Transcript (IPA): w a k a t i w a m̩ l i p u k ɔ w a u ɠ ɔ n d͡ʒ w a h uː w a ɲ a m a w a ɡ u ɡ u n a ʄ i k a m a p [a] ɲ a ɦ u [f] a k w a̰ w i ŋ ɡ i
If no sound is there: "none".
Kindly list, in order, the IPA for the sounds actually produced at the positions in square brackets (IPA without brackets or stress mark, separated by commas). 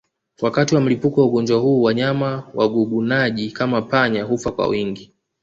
a, f